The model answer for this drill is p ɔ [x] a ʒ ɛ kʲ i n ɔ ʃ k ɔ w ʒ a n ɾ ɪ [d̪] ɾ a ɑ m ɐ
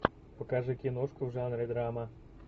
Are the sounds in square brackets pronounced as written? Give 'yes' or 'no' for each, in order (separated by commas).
no, yes